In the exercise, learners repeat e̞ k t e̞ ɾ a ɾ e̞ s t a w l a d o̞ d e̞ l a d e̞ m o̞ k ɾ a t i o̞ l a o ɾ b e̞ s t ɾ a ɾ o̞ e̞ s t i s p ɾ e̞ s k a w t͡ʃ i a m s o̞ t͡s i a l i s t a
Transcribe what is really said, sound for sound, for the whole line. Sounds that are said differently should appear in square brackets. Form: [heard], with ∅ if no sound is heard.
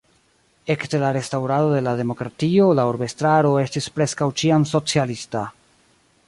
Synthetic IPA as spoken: e̞ k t e̞ [l] a ɾ e̞ s t a w [ɾ] a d o̞ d e̞ l a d e̞ m o̞ k ɾ a t i o̞ l a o ɾ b e̞ s t ɾ a ɾ o̞ e̞ s t i s p ɾ e̞ s k a w t͡ʃ i a m s o̞ t͡s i a l i s t a